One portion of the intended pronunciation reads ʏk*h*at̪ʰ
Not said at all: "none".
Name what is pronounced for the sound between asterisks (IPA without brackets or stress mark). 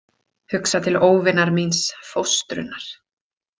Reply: s